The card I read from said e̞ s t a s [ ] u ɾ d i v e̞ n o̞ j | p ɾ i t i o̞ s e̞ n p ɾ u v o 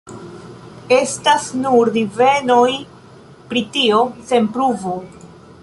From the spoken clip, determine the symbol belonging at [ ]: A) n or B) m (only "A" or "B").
A